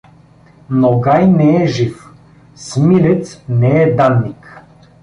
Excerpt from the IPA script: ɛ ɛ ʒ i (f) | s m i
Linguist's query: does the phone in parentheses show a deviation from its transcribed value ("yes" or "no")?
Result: no